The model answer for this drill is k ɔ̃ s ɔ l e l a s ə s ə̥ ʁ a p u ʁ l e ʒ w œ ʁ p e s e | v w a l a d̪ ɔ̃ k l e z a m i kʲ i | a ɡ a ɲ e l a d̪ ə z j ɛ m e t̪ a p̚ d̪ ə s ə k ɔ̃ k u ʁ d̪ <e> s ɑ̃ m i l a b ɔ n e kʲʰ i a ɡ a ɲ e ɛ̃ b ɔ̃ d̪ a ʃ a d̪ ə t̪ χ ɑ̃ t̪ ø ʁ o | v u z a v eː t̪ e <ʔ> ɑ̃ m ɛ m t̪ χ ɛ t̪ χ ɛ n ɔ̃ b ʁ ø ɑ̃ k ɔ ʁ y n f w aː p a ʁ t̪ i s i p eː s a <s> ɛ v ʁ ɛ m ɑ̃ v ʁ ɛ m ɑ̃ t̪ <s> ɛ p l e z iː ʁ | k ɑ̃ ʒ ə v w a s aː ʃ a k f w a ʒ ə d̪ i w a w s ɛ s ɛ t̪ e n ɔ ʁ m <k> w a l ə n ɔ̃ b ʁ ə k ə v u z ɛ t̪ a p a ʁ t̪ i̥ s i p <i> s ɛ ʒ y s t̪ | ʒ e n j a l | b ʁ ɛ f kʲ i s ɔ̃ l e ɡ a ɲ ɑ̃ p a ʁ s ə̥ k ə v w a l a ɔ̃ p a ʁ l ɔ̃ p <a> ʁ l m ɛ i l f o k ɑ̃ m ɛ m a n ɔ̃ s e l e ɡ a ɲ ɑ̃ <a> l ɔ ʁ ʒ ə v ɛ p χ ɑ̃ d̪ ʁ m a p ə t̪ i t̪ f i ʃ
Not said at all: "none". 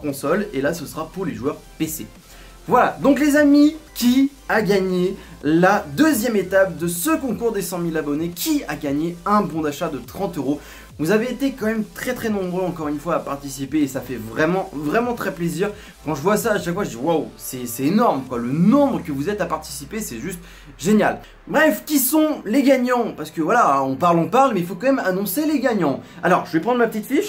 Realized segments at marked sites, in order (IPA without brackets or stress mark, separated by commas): e, k, f, χ, k, e, a, a